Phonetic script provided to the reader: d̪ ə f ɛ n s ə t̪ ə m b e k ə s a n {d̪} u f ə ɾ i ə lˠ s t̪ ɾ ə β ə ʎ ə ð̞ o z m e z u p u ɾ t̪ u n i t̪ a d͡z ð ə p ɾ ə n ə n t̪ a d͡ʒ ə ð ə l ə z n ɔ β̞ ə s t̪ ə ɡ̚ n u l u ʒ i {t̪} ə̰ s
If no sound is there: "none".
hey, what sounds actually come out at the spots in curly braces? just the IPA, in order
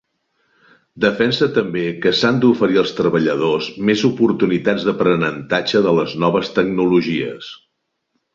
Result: d̪, none

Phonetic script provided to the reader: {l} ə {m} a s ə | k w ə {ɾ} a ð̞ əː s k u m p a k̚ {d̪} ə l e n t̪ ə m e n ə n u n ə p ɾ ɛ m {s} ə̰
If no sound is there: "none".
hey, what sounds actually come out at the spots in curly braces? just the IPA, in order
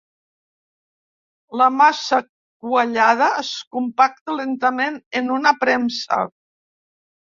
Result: l, m, ʎ, t̪, s

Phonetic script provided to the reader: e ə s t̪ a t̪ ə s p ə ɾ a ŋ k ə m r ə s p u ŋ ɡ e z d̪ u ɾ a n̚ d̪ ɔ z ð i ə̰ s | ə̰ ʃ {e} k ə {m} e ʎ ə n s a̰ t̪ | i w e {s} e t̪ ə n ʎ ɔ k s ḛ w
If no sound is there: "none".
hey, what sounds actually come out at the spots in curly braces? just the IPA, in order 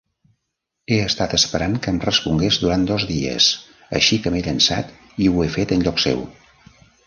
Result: i, m, f

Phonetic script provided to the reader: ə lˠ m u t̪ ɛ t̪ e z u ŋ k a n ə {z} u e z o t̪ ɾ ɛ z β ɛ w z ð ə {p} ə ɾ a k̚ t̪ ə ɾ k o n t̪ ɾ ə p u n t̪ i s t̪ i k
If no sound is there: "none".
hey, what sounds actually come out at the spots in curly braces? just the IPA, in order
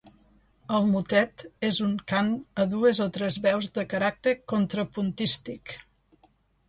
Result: ð, k

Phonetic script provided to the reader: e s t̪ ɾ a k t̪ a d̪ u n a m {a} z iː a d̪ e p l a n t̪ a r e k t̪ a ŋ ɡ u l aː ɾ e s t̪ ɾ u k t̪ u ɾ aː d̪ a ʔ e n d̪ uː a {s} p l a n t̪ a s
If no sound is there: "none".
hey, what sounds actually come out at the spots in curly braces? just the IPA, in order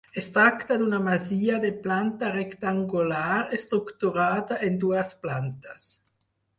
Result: a, s

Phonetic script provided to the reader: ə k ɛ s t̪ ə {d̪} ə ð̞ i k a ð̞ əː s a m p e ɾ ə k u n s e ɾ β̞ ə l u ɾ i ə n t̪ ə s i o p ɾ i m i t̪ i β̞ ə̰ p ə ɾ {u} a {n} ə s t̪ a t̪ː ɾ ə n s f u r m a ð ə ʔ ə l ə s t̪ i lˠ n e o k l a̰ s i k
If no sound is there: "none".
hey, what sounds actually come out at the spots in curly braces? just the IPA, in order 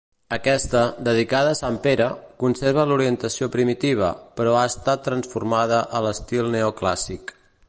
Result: d̪, ɔ, none

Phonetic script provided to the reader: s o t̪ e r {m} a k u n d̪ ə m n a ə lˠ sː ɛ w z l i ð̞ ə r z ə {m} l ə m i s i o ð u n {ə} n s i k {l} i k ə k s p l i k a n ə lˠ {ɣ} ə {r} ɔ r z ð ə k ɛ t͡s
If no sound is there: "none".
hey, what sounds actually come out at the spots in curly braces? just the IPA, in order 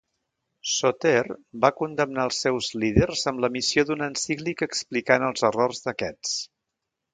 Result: b, m, ə, l, z, r

